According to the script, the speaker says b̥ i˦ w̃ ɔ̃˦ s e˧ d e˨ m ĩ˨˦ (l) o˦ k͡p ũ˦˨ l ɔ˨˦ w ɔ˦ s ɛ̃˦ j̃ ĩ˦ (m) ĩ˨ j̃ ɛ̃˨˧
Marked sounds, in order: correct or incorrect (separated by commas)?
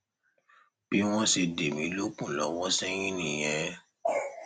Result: correct, incorrect